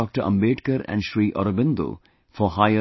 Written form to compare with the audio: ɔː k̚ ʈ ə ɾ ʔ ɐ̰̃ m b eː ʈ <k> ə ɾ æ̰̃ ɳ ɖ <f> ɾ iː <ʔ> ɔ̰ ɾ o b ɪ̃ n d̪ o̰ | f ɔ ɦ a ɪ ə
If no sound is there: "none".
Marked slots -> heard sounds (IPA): k, ʃ, ʔ

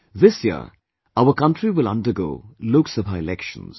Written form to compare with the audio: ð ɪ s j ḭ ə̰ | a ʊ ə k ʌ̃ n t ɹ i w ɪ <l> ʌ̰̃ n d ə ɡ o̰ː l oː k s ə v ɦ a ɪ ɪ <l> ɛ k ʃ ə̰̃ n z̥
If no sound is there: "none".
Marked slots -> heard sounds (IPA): l, l

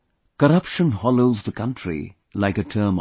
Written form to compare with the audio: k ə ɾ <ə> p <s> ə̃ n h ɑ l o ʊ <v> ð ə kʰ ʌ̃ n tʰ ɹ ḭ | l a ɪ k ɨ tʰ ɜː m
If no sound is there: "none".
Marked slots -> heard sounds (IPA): ʌ, ʃ, z

